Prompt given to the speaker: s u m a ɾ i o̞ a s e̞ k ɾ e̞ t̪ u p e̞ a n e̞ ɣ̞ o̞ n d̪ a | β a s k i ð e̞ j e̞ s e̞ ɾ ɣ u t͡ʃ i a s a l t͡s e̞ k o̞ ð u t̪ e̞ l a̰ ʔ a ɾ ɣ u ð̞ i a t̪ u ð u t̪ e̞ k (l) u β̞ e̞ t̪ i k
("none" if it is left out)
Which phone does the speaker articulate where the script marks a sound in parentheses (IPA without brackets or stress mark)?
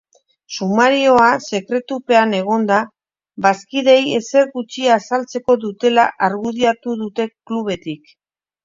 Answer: l